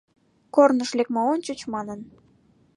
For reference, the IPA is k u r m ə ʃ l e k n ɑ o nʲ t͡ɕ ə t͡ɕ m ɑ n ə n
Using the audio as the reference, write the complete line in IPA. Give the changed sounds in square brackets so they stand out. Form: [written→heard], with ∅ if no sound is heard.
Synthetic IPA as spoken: k [u→o] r [m→n] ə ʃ l e k [n→m] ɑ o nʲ t͡ɕ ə t͡ɕ m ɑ n ə n